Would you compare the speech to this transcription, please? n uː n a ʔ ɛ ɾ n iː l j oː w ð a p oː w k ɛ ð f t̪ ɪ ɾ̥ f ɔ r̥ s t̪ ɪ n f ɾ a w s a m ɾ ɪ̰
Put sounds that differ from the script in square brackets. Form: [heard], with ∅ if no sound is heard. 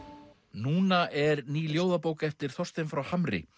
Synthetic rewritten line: n uː n a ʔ ɛ ɾ n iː l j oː w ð a p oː w k ɛ [∅] f t̪ ɪ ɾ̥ [θ] ɔ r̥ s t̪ ɪ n f ɾ a w [h] a m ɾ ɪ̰